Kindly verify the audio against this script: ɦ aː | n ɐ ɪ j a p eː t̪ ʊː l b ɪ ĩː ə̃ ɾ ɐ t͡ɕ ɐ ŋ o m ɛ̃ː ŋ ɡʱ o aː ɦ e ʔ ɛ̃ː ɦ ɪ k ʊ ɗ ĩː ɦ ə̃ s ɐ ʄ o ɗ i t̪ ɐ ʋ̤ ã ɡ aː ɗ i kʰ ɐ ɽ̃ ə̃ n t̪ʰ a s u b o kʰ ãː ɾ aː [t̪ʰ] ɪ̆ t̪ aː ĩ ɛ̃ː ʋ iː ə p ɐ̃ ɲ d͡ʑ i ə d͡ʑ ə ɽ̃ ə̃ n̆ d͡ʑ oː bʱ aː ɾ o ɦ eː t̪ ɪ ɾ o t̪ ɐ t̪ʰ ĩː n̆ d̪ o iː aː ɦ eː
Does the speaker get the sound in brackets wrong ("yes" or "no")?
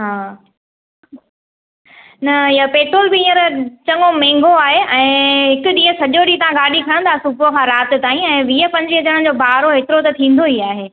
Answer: yes